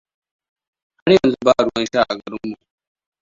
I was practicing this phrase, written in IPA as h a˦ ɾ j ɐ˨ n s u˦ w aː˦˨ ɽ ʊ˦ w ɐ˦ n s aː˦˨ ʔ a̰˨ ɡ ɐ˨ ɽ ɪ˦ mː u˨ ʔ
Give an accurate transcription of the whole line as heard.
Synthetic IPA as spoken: h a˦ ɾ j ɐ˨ n z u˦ b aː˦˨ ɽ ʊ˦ w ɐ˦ n ʃ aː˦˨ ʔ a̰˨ ɡ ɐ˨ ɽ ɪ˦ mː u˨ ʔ